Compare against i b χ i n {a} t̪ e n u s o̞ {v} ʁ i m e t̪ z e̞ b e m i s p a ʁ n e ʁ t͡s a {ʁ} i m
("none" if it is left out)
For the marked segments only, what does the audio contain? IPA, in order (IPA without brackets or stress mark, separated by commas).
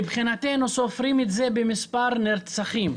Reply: a, f, χ